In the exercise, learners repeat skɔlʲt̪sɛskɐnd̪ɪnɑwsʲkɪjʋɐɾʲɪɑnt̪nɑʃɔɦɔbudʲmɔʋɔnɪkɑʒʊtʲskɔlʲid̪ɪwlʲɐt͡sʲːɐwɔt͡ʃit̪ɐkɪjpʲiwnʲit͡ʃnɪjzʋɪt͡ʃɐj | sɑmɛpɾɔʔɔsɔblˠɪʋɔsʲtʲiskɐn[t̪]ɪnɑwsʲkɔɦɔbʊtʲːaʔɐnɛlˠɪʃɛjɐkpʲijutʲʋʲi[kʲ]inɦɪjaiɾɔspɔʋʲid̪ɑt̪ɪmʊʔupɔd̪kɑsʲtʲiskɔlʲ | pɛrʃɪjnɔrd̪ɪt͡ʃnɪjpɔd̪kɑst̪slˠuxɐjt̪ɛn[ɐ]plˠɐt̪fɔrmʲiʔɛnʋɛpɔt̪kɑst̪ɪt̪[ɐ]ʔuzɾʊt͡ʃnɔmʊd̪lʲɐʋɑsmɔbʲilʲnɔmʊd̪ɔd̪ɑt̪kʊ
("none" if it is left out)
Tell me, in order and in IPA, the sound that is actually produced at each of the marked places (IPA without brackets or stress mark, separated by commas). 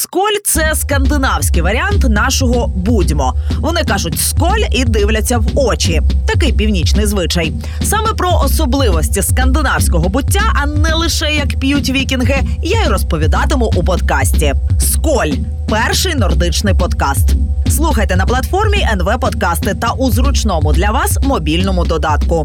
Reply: d̪, kʲ, ɐ, ɐ